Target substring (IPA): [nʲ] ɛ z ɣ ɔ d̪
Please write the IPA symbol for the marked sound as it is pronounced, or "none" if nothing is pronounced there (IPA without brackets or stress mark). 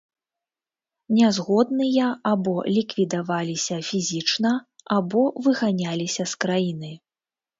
nʲ